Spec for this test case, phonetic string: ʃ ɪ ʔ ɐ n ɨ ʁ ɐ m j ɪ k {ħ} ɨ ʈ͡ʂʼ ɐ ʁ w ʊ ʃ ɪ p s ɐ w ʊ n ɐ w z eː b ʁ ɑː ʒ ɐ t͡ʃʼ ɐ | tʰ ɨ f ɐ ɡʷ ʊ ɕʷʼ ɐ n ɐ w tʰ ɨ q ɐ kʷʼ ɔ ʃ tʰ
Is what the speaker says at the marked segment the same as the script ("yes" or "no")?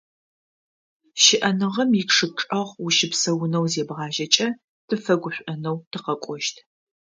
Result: no